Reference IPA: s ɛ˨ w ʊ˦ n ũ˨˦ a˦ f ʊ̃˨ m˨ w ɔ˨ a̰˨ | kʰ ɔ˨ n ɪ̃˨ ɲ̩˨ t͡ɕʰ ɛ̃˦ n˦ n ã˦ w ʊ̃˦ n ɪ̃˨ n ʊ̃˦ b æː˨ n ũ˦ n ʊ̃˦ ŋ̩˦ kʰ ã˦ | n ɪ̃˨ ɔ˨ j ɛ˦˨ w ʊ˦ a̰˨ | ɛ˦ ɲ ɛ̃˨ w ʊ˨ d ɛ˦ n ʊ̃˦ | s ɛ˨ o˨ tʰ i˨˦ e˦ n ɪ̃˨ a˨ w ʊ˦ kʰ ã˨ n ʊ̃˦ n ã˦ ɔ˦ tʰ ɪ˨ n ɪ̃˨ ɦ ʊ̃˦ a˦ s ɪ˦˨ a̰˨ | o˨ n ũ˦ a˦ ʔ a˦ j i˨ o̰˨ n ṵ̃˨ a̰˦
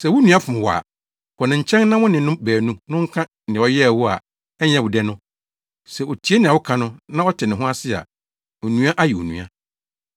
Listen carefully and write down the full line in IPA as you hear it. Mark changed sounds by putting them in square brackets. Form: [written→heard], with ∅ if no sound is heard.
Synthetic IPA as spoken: s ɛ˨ w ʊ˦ n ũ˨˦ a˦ f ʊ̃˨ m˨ w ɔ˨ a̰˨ | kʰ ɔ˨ n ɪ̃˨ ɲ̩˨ t͡ɕʰ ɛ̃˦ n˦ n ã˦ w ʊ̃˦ n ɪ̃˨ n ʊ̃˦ b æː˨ n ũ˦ n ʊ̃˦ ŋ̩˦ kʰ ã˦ | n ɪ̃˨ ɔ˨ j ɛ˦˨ w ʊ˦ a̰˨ | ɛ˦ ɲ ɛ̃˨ w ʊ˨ d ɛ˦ n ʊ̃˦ | s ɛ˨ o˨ tʰ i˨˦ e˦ n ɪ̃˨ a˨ w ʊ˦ kʰ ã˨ n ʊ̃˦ n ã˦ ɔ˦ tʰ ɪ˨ n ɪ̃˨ ɦ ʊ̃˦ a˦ s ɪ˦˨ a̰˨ | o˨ n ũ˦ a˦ ʔ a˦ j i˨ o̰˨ n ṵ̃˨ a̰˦

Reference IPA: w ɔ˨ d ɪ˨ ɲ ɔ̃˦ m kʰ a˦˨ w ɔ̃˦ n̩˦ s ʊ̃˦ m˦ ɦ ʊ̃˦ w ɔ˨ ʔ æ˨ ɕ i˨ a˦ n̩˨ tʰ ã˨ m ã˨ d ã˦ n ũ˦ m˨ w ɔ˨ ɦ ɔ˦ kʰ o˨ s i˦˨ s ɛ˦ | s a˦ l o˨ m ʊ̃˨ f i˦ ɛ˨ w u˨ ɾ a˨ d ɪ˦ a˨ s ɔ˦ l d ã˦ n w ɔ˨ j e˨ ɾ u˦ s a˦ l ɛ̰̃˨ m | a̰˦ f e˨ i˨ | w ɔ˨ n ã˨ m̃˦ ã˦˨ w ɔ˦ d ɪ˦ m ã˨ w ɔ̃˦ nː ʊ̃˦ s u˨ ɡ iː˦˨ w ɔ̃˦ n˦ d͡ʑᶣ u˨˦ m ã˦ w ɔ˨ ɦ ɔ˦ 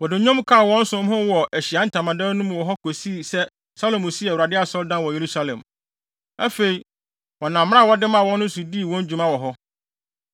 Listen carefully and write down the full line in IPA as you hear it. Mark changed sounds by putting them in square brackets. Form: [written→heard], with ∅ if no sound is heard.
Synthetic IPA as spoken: w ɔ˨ d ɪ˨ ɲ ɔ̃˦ m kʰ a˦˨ w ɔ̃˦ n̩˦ s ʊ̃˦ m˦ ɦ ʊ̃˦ w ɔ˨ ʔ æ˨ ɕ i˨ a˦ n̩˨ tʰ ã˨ m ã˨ d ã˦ n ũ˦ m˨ w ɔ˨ ɦ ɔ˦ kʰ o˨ s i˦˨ s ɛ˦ | s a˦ l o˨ m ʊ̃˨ [f→s] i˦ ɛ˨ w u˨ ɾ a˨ d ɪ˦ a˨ s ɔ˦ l d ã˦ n w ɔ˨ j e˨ ɾ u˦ s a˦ l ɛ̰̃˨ m | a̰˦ f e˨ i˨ | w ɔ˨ n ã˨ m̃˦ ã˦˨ w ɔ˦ d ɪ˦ m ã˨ w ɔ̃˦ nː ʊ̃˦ s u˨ [ɡ→d] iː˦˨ w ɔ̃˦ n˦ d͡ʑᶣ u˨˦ m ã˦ w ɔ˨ ɦ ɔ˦

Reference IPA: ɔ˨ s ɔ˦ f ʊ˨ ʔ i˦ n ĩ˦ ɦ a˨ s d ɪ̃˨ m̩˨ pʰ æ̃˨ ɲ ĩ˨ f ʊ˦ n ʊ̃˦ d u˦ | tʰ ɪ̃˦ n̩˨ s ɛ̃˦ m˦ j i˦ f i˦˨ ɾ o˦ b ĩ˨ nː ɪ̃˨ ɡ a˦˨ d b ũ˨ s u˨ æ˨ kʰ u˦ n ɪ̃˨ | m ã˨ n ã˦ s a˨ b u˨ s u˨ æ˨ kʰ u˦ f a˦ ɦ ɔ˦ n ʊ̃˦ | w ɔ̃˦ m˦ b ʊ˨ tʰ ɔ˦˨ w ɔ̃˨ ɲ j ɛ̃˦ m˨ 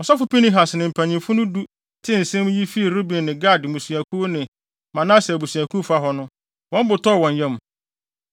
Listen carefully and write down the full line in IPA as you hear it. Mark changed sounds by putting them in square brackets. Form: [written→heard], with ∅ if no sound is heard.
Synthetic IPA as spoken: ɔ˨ s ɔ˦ f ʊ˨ [ʔ→p] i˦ n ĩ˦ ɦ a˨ s [d→n] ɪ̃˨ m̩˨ pʰ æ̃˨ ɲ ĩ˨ f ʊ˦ n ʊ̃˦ d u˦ | tʰ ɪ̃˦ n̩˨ s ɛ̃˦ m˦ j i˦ f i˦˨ ɾ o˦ b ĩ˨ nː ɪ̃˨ ɡ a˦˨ d [b→m] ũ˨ s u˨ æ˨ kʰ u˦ n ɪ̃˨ | m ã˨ n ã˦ s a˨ b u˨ s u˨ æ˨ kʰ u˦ f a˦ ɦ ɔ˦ n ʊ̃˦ | w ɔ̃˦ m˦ b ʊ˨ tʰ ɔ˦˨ w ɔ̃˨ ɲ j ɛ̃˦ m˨

